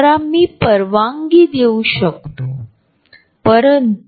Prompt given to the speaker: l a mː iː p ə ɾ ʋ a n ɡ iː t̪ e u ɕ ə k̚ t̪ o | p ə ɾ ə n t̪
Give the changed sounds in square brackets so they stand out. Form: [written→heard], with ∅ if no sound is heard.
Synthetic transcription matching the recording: [l→ɾ] a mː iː p ə ɾ ʋ a [n→ŋ] ɡ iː [t̪→d̪] e u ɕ ə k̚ t̪ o | p ə ɾ ə n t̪